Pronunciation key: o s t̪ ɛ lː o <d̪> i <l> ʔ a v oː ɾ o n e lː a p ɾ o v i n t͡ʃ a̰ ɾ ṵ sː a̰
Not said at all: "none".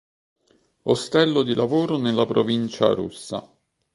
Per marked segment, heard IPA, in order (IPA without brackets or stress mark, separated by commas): d̪, l